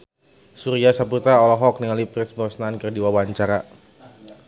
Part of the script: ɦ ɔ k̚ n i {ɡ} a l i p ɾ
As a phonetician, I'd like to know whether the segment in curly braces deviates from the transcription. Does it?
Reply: yes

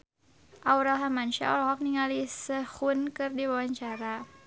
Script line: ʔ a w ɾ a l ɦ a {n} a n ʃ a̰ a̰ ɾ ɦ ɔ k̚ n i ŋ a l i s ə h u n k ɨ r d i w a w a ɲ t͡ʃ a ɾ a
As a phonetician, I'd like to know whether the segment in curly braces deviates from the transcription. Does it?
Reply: yes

